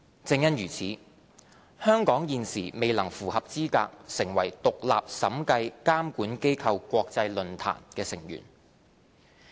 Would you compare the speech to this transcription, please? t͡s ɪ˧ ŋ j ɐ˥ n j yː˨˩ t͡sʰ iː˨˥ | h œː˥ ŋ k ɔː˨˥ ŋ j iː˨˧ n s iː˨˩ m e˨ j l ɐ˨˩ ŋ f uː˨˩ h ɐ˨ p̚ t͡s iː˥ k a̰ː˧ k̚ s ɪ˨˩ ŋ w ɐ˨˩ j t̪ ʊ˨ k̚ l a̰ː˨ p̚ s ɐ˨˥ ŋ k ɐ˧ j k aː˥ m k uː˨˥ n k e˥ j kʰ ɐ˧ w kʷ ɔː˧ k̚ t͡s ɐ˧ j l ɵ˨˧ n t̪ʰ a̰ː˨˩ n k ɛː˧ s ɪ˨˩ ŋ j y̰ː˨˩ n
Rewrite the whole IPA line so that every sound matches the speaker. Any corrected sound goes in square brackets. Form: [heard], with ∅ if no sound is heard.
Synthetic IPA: t͡s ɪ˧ ŋ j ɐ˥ n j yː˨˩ t͡sʰ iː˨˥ | h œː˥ ŋ k ɔː˨˥ ŋ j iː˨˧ n s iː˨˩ m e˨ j l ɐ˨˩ ŋ f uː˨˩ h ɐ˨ p̚ t͡s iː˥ k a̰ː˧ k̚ s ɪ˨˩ ŋ w ɐ˨˩ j t̪ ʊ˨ k̚ l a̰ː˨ p̚ s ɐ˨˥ [m] k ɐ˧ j k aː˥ m k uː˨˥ n k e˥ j kʰ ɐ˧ w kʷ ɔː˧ k̚ t͡s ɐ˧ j l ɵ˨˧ n t̪ʰ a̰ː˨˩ n k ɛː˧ s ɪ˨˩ ŋ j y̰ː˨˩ n

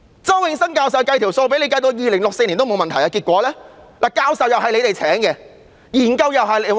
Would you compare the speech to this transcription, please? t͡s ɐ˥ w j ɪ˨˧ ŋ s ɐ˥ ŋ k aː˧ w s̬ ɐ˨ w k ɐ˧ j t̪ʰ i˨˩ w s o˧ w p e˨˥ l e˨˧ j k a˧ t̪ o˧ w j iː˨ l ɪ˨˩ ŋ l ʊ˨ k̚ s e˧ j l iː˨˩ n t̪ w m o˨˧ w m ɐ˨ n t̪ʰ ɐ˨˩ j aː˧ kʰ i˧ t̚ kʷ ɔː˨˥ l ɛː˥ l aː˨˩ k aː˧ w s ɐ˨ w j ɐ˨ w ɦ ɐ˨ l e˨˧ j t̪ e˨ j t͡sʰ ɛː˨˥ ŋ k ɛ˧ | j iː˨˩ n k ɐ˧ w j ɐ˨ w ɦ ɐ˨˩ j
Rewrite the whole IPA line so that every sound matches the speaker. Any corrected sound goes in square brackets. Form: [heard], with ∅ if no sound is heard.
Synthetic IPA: t͡s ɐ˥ w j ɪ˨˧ ŋ s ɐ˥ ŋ k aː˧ w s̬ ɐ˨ w k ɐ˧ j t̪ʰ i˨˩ w s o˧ w p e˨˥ l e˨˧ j k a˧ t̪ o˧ w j iː˨ l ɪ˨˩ ŋ l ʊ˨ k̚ s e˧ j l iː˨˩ n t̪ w m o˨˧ w m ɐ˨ n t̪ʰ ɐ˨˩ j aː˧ [k] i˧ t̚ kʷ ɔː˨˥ l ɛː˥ l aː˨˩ k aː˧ w s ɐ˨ w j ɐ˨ w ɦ ɐ˨ l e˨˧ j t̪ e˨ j t͡sʰ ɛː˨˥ ŋ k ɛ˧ | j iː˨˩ n k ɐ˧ w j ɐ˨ w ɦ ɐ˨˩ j

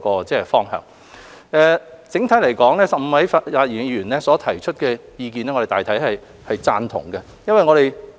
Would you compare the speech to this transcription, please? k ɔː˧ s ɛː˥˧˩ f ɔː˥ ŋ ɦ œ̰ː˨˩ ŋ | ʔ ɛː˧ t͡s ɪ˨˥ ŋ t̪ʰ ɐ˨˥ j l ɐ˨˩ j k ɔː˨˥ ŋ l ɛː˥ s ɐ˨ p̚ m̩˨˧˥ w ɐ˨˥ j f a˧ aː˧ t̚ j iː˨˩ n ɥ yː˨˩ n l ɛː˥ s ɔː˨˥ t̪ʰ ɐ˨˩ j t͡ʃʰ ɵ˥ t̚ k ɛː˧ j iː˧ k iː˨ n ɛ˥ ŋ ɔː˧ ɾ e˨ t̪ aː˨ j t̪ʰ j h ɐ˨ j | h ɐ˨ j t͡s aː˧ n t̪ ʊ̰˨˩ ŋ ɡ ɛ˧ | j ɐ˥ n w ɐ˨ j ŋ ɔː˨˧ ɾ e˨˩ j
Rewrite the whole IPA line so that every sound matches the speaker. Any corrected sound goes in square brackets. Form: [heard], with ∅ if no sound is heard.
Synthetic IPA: k ɔː˧ [t͡s] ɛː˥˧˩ f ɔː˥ ŋ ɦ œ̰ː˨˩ ŋ | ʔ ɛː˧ t͡s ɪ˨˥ ŋ t̪ʰ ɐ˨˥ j l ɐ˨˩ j k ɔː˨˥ ŋ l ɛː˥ s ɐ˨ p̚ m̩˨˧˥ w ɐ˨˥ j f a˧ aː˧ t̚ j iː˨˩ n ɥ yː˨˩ n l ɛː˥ s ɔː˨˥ t̪ʰ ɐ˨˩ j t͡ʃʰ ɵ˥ t̚ k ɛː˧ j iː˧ k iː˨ n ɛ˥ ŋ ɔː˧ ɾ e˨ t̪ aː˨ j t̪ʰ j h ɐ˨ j | h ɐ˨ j t͡s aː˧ n [t̪ʰ] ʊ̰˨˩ ŋ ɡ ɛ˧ | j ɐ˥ n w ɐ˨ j ŋ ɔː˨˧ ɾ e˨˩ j

